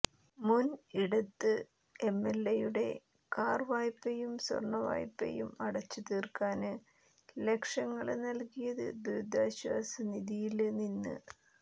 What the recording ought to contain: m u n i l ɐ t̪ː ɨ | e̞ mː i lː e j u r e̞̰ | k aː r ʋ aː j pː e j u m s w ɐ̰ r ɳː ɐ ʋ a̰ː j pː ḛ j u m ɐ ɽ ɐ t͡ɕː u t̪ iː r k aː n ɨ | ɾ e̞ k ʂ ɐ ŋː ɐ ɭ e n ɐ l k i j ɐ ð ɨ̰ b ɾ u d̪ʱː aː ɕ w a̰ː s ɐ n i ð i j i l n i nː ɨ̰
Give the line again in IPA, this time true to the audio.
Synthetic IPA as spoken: m u n i ɽ ɐ t̪ː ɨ | e̞ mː e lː e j u ɽ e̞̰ | k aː r ʋ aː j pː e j u m s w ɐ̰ r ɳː ɐ ʋ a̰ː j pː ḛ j u m ɐ ɽ ɐ t͡ɕː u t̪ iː r k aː n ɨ | l e̞ k ʂ ɐ ŋː ɐ ɭ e n ɐ l k i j ɐ ð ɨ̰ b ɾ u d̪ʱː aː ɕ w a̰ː s ɐ n i ð i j i l n i nː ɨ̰